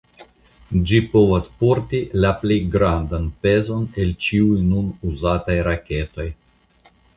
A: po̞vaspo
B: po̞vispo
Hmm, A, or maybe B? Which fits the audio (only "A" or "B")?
A